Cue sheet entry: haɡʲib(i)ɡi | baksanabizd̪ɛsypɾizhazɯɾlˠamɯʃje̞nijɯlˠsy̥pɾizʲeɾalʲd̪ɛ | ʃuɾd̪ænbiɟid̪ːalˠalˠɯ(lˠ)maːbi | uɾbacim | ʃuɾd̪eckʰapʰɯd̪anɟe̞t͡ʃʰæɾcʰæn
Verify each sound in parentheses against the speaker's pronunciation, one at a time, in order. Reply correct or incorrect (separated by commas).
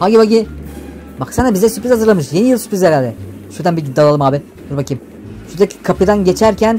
incorrect, incorrect